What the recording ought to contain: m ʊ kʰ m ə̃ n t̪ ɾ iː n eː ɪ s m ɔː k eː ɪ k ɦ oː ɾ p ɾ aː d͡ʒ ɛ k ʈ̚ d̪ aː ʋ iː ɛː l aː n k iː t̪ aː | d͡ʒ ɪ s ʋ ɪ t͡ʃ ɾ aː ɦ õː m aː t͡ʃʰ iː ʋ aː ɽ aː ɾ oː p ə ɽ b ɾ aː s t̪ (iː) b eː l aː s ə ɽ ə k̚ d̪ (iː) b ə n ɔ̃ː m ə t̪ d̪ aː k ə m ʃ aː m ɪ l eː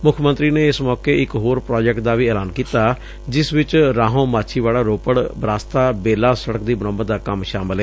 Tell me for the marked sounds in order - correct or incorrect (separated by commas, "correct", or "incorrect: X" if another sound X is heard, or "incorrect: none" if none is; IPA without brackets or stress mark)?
incorrect: aː, correct